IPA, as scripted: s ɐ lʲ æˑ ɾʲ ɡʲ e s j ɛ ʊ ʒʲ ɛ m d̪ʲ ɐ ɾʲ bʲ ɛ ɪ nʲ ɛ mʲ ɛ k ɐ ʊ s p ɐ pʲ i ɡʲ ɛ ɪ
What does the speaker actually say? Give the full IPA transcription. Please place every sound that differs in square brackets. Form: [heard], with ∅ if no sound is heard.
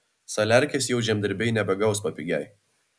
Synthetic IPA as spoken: s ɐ lʲ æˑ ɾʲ [kʲ] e s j ɛ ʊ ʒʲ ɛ m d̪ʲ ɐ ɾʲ bʲ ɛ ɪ nʲ ɛ [bʲ] ɛ [ɡ] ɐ ʊ s p ɐ pʲ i ɡʲ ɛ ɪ